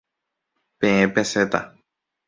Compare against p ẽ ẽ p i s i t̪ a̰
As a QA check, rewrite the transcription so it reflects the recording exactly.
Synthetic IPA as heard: p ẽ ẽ p e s e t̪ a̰